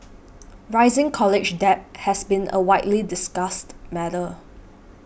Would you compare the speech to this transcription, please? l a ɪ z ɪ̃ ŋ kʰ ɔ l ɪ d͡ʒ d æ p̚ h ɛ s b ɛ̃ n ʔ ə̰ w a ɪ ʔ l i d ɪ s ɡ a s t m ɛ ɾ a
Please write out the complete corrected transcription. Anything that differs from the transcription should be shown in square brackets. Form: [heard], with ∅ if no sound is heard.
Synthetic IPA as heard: [ɹ] a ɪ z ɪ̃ ŋ kʰ ɔ l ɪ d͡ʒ d [ɛ] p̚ h ɛ s b [ĩ] n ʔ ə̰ w a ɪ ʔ l i d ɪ s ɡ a s t m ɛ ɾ [ə]